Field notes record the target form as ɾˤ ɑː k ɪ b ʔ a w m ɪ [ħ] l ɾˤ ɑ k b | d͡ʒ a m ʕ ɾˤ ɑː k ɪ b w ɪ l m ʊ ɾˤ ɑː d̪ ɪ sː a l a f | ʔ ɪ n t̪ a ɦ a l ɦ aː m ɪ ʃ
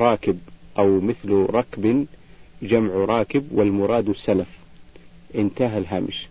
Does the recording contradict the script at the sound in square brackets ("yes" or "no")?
yes